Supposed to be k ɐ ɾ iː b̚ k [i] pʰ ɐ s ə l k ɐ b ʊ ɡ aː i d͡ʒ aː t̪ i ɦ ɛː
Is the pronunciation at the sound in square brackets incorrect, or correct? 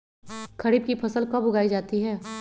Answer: correct